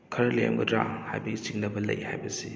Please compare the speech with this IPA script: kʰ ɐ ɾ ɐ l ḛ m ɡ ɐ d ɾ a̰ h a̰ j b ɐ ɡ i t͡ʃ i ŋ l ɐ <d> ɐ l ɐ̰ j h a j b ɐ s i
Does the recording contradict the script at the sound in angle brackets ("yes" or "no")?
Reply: yes